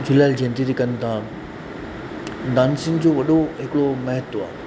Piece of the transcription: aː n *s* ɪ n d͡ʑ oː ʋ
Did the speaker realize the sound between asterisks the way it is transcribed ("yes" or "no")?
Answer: yes